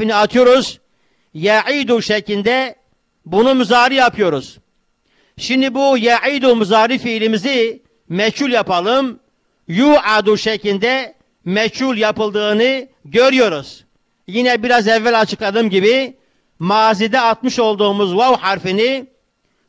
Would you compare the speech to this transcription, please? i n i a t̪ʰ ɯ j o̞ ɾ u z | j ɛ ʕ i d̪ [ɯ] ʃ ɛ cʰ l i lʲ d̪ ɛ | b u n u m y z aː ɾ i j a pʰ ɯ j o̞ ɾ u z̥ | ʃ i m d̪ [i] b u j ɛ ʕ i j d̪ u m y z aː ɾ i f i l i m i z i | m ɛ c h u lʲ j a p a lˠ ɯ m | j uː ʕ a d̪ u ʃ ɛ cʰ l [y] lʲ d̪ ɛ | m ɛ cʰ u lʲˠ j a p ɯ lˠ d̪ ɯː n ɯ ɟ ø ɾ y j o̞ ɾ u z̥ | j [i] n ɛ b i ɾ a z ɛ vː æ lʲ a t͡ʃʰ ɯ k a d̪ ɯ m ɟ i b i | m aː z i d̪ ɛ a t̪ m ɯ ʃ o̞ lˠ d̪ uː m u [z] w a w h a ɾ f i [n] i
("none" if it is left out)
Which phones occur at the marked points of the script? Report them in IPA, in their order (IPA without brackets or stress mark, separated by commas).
u, i, i, i, z, n